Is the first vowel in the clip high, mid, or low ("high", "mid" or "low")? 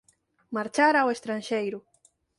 low